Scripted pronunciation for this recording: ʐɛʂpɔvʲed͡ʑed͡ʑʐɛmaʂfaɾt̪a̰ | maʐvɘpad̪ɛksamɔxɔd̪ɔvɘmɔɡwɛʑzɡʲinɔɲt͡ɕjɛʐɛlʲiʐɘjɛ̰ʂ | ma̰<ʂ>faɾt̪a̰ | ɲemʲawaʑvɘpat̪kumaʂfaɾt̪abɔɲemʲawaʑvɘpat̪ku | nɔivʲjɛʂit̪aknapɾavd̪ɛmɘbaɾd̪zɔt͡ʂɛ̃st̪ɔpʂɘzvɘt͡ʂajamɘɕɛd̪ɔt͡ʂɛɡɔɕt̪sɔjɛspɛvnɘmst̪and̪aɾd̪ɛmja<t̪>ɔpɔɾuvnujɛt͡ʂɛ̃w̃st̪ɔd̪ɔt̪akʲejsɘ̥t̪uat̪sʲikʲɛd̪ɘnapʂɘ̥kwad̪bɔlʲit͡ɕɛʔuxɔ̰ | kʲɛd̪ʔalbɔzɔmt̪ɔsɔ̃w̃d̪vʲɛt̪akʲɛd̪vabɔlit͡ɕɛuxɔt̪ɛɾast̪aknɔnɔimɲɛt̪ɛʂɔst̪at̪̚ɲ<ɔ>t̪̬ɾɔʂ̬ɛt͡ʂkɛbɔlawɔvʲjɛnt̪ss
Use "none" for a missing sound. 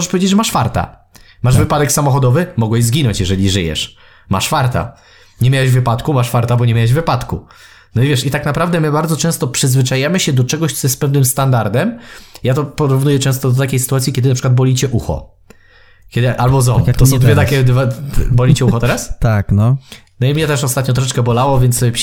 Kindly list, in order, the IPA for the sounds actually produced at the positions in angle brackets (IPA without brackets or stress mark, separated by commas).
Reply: ʂ, t̪, ɔ